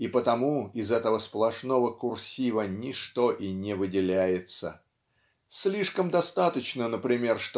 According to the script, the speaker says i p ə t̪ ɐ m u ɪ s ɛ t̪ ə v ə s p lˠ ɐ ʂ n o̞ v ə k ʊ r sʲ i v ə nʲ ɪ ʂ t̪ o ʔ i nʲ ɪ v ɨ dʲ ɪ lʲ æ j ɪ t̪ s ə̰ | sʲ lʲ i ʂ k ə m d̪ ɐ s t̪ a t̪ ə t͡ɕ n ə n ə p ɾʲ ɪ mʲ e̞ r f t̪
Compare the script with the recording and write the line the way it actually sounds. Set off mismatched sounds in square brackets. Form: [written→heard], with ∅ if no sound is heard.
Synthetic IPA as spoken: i p ə t̪ ɐ m u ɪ [s→z] ɛ t̪ ə v ə s p lˠ ɐ ʂ n o̞ v ə k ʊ r sʲ i v ə nʲ ɪ ʂ t̪ o ʔ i nʲ ɪ v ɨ dʲ ɪ lʲ æ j ɪ t̪ s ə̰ | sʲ lʲ i ʂ k ə m d̪ ɐ s t̪ a t̪ ə t͡ɕ n ə n ə p ɾʲ ɪ mʲ e̞ r [f→ʂ] t̪